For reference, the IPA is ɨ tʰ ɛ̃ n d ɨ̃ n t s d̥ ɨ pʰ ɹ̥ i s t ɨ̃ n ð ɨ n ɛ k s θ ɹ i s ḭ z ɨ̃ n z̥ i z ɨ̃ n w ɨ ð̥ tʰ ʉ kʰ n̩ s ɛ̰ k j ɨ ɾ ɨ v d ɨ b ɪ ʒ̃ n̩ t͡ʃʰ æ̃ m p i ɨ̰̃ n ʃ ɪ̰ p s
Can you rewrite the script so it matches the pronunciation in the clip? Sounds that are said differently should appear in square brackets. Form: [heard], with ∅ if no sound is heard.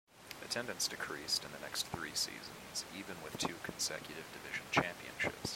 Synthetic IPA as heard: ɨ tʰ ɛ̃ n d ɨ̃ n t s d̥ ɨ [kʰ] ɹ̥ i s t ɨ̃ n ð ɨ n ɛ k s θ ɹ i s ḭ z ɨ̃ n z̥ i [v] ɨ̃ n w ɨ ð̥ tʰ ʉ kʰ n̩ s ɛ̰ k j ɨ ɾ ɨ v d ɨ [v] ɪ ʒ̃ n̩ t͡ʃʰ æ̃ m p i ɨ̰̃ n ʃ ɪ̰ p s